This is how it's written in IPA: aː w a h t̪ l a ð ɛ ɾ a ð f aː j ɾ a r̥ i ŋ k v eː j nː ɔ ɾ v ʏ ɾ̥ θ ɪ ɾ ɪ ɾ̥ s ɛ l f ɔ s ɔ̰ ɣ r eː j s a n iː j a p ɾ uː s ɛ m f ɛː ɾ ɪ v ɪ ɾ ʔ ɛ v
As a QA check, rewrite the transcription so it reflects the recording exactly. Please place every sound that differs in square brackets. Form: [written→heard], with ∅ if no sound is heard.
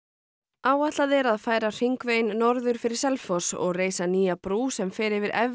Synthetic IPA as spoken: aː w a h t̪ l a ð ɛ ɾ a ð f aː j ɾ a r̥ i ŋ k v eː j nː ɔ ɾ [v→ð] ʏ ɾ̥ [θ→f] ɪ ɾ ɪ ɾ̥ s ɛ l f ɔ s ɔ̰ ɣ r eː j s a n iː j a p ɾ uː s ɛ m f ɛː ɾ ɪ v ɪ ɾ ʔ ɛ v